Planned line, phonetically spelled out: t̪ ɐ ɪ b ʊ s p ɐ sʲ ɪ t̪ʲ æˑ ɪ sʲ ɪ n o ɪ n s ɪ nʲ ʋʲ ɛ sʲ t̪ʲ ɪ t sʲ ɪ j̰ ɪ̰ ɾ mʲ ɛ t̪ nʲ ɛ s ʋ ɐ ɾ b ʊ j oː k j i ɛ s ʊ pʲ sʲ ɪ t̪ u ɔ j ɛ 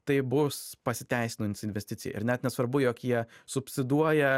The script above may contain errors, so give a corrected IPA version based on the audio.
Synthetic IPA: t̪ ɐ ɪ b ʊ s p ɐ sʲ ɪ t̪ʲ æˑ ɪ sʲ ɪ n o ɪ n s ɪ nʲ ʋʲ ɛ sʲ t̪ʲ ɪ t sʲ ɪ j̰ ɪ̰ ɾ nʲ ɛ t̪ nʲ ɛ s ʋ ɐ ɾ b ʊ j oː k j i ɛ s ʊ pʲ sʲ ɪ d̪ u ɔ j ɛ